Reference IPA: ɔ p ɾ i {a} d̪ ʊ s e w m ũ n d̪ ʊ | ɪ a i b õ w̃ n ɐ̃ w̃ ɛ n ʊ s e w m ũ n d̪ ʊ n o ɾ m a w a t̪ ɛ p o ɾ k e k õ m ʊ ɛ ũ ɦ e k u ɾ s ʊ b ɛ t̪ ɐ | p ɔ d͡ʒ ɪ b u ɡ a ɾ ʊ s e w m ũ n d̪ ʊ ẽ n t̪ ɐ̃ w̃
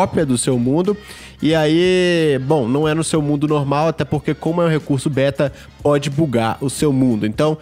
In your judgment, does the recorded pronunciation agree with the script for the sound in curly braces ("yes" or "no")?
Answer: no